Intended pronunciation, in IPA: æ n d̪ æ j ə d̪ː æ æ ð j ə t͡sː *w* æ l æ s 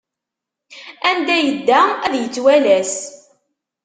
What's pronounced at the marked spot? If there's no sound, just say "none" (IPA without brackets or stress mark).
w